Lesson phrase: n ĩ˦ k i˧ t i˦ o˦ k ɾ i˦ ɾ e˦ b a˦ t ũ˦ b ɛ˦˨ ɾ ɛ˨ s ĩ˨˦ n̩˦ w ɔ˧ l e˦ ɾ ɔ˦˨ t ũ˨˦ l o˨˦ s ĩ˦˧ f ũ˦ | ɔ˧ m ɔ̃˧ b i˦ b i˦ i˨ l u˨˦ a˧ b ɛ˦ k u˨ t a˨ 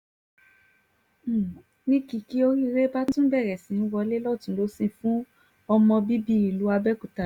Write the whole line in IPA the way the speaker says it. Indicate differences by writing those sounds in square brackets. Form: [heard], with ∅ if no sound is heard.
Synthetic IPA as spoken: n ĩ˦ k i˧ [k] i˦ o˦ [∅] ɾ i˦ ɾ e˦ b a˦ t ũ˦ b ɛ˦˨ ɾ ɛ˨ s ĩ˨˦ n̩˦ w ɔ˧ l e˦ [l] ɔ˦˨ t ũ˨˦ l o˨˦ s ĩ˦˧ f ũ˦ | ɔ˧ m ɔ̃˧ b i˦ b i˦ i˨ l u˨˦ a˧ b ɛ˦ k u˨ t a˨

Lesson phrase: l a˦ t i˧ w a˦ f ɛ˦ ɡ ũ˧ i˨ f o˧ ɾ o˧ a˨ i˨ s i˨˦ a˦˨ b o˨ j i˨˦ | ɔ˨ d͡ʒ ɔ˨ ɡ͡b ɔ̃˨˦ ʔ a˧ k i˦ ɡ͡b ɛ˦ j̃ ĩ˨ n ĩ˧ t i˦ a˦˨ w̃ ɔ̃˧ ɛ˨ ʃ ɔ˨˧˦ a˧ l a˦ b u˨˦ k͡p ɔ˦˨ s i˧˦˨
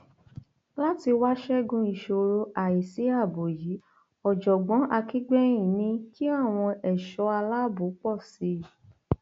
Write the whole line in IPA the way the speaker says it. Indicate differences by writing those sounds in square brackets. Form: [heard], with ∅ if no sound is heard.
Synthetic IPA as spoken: l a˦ t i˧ w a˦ [ʃ] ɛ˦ ɡ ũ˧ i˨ [ʃ] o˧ ɾ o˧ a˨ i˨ s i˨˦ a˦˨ b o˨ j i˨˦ | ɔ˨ d͡ʒ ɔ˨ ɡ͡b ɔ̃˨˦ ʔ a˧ k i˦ ɡ͡b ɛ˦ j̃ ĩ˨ n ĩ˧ [k] i˦ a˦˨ w̃ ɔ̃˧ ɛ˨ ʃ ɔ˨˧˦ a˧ l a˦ b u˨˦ k͡p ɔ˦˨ s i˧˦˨

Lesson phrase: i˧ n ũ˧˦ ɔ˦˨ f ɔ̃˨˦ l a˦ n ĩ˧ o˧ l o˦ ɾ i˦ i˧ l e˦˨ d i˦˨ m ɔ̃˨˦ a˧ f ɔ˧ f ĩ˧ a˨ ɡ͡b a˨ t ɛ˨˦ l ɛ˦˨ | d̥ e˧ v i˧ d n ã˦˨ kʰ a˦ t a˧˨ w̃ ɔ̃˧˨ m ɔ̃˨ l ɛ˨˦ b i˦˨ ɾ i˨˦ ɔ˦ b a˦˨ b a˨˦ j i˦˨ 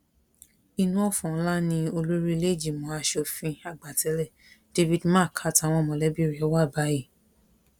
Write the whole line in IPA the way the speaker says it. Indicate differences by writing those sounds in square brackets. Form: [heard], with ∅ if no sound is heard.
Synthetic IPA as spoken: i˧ n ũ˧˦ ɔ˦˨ f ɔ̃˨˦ l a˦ n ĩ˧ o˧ l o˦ ɾ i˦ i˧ l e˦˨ [d͡ʒ] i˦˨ m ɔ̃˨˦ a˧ [ʃ] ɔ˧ f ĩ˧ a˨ ɡ͡b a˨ t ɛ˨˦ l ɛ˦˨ | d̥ e˧ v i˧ d [m] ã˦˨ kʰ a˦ t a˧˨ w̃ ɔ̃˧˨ m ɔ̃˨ l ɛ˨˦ b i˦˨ ɾ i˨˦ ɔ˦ [w] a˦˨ b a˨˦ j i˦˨

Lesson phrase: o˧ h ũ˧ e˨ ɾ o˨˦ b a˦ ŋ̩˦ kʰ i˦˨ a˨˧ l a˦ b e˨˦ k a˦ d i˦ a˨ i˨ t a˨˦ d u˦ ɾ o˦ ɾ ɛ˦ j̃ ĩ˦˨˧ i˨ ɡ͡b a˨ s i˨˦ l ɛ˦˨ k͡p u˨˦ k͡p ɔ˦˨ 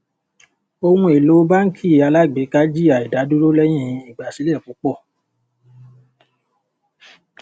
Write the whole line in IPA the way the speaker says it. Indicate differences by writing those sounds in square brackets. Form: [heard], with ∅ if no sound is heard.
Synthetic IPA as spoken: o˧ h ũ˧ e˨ [l] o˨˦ b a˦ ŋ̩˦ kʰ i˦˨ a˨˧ l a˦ [ɡ͡b] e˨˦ k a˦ [d͡ʒ] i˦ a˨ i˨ [d] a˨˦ d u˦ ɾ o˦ [l] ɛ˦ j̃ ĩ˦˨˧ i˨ ɡ͡b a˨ s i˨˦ l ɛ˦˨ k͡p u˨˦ k͡p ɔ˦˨

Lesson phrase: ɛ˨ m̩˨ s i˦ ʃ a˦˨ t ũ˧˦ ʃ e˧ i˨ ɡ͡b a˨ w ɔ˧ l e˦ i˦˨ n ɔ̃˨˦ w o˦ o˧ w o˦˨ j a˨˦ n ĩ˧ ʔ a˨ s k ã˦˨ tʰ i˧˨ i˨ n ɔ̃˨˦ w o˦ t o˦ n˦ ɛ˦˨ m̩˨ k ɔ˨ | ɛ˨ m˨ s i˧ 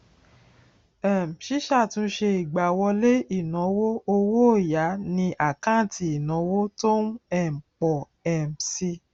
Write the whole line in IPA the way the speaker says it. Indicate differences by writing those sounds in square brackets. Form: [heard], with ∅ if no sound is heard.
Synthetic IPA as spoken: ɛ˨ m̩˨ [ʃ] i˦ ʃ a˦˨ t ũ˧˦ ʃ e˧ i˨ ɡ͡b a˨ w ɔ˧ l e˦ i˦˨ n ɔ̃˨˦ w o˦ o˧ w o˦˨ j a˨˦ n ĩ˧ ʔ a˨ [∅] k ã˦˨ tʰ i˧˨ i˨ n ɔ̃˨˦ w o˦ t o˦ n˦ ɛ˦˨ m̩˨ [k͡p] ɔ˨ | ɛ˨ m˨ s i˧

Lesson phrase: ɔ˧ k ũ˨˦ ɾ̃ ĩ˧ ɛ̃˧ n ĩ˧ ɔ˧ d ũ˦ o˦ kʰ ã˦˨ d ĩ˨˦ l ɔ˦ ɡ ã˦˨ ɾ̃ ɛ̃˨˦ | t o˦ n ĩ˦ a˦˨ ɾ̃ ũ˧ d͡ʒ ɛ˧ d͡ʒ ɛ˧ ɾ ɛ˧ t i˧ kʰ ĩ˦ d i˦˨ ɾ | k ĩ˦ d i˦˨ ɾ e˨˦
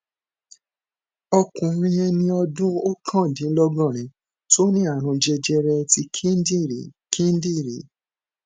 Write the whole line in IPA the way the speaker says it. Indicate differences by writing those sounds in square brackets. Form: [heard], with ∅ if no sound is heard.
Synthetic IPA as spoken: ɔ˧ k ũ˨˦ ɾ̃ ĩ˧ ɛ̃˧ n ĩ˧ ɔ˧ d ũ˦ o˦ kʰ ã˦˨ d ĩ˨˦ l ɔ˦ ɡ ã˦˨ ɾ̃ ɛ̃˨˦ | t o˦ n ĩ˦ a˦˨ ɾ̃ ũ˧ d͡ʒ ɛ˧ d͡ʒ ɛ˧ ɾ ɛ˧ t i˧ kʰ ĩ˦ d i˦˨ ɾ | k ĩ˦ d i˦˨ ɾ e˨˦

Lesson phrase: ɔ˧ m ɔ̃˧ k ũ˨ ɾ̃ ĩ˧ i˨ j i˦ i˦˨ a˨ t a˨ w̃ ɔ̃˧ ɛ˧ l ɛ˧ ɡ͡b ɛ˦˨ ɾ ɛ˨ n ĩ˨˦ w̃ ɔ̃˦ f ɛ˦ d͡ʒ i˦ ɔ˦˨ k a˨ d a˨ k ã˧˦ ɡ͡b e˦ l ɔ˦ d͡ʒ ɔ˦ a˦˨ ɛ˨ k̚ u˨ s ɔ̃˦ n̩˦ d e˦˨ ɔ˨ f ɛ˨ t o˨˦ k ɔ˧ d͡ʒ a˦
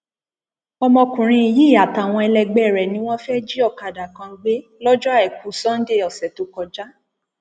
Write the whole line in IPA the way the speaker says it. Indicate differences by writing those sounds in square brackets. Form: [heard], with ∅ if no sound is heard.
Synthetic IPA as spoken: ɔ˧ m ɔ̃˧ k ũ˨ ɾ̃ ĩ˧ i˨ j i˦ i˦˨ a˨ t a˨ w̃ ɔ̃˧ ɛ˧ l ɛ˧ ɡ͡b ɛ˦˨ ɾ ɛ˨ n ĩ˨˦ w̃ ɔ̃˦ f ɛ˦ d͡ʒ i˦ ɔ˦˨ k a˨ d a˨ k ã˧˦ ɡ͡b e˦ l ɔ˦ d͡ʒ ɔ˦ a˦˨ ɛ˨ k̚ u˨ s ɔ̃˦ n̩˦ d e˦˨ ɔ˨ [s] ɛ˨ t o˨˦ k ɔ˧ d͡ʒ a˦

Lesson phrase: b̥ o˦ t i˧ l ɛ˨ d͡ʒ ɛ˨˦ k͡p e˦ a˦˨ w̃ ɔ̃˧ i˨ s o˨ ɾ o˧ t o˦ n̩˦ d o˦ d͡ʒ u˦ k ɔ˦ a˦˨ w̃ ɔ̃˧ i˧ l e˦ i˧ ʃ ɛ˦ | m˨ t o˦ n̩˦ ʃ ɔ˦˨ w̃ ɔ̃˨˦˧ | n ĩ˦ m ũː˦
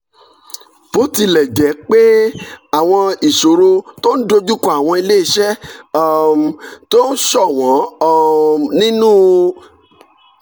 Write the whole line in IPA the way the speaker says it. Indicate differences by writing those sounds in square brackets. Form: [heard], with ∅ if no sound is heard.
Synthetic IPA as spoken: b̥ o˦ t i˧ l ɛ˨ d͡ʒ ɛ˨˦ k͡p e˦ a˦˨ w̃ ɔ̃˧ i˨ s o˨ ɾ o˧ t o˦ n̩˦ d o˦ d͡ʒ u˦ k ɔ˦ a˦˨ w̃ ɔ̃˧ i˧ l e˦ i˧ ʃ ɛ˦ | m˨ t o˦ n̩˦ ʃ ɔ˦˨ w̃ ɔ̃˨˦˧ | n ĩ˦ [n] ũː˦

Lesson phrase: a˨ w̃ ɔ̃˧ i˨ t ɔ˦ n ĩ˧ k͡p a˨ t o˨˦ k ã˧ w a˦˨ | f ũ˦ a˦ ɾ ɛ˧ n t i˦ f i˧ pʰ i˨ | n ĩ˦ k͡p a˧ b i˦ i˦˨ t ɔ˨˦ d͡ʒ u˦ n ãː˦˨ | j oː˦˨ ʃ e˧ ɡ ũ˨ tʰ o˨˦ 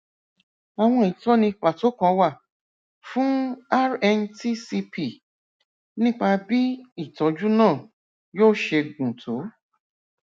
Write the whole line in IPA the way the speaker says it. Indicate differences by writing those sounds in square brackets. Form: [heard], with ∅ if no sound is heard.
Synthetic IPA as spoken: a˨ w̃ ɔ̃˧ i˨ t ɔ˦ n ĩ˧ k͡p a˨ t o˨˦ k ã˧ w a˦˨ | f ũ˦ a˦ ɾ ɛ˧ n t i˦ [s] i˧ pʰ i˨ | n ĩ˦ k͡p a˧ b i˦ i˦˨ t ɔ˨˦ d͡ʒ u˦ n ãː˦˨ | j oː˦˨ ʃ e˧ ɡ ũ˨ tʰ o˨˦

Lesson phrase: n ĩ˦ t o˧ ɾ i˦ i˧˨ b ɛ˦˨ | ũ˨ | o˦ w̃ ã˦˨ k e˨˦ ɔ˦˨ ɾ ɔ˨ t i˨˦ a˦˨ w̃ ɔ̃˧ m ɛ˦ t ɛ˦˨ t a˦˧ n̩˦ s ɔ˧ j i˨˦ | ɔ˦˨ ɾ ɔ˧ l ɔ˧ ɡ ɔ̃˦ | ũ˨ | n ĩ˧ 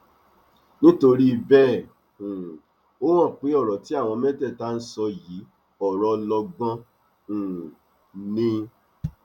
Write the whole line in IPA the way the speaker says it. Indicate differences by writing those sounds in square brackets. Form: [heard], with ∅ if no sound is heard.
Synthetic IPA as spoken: n ĩ˦ t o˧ ɾ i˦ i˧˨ b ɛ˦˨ | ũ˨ | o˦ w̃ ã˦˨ [k͡p] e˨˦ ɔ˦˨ ɾ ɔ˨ t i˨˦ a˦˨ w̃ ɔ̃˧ m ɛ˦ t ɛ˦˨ t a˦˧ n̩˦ s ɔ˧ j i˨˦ | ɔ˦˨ ɾ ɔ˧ l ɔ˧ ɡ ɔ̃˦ | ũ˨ | n ĩ˧

